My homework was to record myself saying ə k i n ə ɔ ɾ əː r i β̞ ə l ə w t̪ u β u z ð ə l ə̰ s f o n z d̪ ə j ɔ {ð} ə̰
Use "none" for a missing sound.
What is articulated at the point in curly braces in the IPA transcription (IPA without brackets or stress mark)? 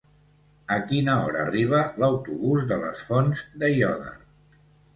ð